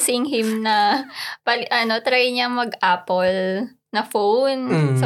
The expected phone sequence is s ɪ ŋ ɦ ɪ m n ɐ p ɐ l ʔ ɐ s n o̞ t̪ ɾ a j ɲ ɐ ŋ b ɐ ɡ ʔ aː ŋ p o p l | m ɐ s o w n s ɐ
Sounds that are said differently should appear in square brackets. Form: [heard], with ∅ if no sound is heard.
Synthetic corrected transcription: s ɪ ŋ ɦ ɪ m n ɐ p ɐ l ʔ ɐ [∅] n o̞ t̪ ɾ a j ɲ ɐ ŋ [m] ɐ ɡ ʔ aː [∅] p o [∅] l | [n] ɐ [f] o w n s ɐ